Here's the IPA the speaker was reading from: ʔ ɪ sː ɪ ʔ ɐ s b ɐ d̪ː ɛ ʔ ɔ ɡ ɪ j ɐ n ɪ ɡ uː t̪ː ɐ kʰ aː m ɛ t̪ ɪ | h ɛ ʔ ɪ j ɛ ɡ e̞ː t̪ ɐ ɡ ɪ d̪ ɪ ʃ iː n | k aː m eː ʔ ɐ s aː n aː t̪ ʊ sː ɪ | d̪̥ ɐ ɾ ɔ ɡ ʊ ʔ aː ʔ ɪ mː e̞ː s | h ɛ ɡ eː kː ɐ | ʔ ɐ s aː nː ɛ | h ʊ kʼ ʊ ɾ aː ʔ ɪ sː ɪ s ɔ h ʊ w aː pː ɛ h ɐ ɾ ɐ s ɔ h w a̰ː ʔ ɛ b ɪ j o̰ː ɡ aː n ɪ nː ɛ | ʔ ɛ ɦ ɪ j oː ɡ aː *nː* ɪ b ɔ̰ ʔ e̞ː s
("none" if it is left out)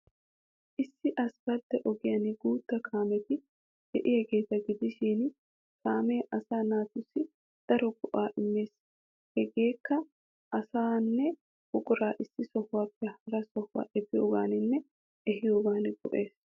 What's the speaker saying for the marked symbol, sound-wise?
n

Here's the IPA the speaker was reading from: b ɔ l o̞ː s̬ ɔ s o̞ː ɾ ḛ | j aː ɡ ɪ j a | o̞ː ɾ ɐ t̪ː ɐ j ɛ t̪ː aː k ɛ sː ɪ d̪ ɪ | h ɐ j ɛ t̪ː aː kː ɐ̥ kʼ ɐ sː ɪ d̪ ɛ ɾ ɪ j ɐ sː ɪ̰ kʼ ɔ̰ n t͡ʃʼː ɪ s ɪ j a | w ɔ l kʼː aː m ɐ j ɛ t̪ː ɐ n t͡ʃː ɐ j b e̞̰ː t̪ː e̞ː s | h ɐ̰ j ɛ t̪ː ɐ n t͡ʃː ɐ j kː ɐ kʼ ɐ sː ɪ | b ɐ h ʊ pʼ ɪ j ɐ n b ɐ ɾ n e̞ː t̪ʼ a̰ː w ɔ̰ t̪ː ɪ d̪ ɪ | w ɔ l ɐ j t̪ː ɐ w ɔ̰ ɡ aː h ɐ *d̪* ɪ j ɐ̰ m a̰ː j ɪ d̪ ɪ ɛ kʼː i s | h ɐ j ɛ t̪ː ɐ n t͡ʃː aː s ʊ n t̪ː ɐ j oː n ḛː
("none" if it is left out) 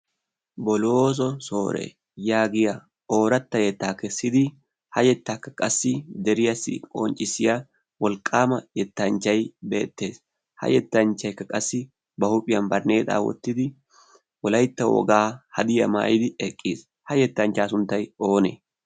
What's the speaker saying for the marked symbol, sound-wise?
d̪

